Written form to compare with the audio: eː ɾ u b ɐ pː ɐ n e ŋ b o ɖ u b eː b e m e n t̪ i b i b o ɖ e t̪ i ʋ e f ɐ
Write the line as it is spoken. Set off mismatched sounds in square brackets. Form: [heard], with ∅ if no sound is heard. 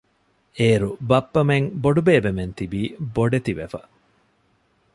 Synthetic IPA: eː ɾ u b ɐ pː ɐ [m] e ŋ b o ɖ u b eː b e m e n t̪ i b [iː] b o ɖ e t̪ i ʋ e f ɐ